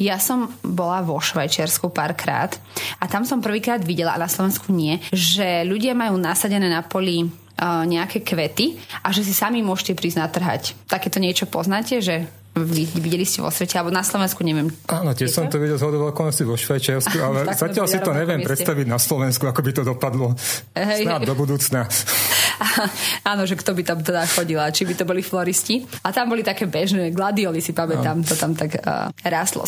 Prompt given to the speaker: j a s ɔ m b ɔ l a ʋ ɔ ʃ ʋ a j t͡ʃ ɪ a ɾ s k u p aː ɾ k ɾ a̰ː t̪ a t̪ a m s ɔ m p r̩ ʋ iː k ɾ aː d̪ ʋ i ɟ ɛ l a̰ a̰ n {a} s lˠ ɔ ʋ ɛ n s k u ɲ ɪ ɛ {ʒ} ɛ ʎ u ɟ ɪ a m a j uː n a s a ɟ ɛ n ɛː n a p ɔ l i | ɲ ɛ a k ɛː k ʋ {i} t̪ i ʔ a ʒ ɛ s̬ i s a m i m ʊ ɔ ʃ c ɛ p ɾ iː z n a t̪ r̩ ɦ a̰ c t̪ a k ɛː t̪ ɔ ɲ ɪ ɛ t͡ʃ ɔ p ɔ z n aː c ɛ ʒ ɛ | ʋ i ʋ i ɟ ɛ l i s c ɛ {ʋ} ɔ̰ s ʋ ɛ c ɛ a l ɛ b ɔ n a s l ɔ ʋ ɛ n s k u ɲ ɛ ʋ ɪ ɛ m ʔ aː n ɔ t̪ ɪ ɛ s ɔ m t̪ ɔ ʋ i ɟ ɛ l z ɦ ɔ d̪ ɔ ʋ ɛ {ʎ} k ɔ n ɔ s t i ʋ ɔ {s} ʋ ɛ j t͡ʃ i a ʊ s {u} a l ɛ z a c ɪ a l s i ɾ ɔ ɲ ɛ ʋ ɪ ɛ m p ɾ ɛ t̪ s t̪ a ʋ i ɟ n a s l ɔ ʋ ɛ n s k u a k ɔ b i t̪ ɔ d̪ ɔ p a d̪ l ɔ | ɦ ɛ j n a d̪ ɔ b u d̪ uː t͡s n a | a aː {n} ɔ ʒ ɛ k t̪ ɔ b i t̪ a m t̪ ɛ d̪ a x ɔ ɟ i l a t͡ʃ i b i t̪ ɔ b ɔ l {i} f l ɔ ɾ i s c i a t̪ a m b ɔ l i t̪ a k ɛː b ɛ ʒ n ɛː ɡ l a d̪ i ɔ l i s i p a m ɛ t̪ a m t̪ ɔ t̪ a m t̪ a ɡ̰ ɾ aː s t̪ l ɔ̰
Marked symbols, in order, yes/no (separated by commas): yes, yes, no, yes, no, no, yes, yes, yes